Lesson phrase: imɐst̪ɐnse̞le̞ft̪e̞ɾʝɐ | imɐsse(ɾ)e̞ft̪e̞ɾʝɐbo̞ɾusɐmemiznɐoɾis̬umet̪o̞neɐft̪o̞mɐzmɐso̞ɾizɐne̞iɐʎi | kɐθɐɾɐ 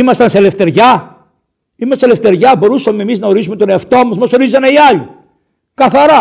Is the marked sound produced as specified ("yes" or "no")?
no